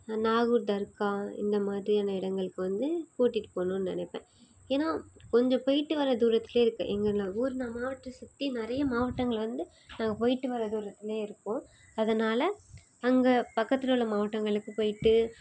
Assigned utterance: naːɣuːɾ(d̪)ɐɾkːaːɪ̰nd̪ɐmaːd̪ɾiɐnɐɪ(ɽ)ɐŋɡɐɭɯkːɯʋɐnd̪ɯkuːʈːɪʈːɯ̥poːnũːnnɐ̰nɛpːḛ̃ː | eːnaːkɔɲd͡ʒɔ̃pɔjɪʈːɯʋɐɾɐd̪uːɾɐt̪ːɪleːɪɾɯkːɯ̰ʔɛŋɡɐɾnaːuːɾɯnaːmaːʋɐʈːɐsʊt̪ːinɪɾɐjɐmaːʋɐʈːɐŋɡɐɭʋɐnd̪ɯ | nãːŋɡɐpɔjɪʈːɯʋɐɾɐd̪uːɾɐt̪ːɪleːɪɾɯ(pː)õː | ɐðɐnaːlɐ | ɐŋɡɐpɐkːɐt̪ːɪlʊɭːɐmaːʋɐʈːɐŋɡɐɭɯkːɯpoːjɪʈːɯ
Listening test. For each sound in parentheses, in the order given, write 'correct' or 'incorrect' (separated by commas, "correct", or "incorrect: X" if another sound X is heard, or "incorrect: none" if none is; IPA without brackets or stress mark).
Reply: correct, correct, incorrect: kː